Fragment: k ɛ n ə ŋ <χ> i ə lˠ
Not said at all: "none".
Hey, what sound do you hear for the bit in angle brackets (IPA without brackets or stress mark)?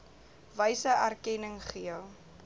χ